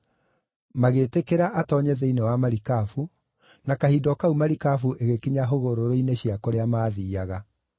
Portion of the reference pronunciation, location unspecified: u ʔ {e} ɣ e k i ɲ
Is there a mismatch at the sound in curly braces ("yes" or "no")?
no